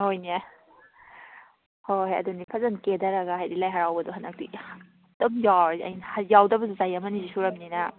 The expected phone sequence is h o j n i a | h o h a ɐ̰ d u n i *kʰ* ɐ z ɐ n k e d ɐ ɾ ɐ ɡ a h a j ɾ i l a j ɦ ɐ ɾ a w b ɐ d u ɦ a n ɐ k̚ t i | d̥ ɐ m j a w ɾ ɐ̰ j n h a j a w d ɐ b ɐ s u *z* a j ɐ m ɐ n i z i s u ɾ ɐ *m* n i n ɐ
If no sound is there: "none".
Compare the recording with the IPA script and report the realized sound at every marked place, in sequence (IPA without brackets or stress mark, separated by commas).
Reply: pʰ, z, m